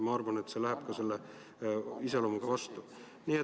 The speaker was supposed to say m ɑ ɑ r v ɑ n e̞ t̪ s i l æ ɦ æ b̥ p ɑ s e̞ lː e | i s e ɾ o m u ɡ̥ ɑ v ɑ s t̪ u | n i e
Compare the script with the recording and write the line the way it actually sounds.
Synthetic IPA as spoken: m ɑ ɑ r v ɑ n e̞ t̪ s e l æ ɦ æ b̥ k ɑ s e̞ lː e | i s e l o m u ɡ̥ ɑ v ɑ s t̪ u | n i e